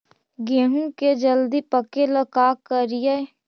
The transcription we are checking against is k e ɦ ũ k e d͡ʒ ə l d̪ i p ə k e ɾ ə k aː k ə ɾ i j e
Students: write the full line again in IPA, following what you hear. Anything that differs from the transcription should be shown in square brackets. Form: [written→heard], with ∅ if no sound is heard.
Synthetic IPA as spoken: [k→ɡ] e ɦ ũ k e d͡ʒ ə l d̪ i p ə k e [ɾ→l] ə k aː k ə ɾ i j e